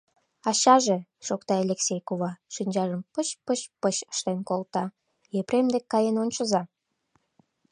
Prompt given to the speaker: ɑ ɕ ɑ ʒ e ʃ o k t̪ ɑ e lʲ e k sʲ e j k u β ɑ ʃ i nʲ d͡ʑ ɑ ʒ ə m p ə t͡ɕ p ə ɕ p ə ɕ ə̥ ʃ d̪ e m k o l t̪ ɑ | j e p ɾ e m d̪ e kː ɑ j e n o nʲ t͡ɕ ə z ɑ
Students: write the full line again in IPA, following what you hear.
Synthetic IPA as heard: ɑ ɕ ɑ ʒ e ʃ o k t̪ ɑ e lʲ e k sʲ e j k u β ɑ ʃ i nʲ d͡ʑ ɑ ʒ ə m p ə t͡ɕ p ə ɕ p ə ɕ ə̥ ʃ t̪ e n k o l t̪ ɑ | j e p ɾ e m d̪ e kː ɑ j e n o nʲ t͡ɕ ə z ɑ